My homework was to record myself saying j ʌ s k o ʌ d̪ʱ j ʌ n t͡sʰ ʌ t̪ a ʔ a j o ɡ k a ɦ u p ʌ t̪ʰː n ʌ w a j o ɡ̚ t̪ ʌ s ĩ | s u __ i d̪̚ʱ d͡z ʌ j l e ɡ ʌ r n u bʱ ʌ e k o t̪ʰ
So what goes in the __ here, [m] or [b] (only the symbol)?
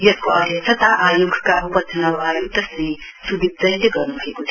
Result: b